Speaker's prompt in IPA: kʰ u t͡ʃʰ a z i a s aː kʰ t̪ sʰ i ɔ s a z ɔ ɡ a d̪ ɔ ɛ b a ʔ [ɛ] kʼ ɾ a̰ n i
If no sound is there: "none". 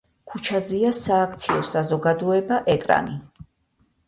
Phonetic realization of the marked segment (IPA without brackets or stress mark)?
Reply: ɛ